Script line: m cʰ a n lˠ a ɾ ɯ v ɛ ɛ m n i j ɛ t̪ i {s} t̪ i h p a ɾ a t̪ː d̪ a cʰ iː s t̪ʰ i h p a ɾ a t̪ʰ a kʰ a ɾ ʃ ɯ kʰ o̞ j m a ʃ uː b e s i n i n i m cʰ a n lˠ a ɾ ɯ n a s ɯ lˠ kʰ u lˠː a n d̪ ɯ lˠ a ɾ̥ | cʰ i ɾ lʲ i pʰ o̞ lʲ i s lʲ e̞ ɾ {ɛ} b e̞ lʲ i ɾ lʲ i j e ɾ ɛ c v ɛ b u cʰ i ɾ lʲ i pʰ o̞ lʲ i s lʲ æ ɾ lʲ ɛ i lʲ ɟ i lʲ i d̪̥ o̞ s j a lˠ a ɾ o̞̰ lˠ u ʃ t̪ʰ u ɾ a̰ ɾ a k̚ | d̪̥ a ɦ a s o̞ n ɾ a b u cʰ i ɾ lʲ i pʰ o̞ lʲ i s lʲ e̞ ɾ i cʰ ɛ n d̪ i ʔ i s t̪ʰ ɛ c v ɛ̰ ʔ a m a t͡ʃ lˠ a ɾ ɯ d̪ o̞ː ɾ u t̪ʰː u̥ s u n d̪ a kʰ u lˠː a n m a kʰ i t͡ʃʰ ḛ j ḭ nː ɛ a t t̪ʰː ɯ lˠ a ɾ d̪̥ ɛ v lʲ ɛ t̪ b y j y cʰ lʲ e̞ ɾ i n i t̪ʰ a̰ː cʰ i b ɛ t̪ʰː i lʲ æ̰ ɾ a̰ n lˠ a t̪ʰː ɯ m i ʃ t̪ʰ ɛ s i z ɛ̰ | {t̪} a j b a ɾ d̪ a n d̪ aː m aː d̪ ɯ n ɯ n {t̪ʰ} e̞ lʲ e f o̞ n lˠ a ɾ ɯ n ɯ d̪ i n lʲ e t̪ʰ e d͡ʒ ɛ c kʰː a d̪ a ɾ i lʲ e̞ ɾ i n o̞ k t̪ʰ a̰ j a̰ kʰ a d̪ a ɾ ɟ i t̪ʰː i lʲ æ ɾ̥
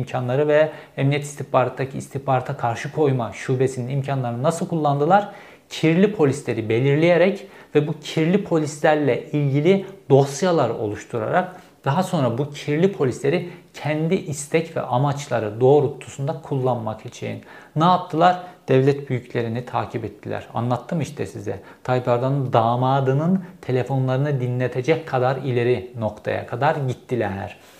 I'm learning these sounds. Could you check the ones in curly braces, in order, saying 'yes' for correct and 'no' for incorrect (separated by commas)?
yes, no, no, yes